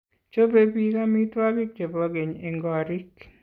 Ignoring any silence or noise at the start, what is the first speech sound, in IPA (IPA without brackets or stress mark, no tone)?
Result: t͡ʃ